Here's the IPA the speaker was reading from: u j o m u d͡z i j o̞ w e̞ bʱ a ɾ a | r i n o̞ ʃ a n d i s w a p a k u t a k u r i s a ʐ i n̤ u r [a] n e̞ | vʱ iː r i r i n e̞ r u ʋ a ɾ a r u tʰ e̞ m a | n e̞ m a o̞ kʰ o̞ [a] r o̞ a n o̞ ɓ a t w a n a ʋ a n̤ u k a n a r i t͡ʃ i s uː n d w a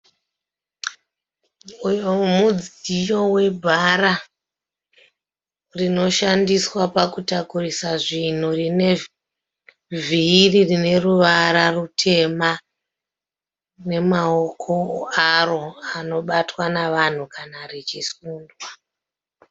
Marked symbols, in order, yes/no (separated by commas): no, yes